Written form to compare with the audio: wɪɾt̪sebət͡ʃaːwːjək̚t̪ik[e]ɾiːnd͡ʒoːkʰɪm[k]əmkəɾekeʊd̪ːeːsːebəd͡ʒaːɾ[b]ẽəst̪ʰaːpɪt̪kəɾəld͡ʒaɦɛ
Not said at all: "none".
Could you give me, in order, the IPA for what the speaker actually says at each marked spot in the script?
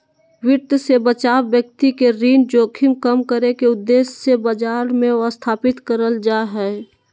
e, k, m

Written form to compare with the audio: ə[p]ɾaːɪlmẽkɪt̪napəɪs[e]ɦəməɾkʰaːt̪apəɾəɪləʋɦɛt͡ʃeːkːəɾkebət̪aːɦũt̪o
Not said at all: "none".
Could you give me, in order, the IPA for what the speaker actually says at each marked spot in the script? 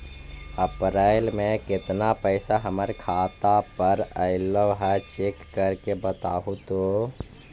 p, a

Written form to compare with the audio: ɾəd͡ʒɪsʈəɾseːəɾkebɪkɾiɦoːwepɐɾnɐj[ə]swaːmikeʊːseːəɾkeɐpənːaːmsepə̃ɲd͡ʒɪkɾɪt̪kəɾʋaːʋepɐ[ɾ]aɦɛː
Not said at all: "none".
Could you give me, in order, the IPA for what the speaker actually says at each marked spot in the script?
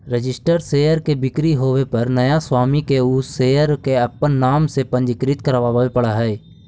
a, ɽ

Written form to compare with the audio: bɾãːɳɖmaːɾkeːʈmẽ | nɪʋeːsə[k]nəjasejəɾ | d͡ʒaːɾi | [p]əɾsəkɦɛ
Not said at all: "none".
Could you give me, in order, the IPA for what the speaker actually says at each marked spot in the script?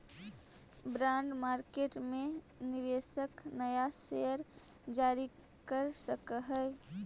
k, k

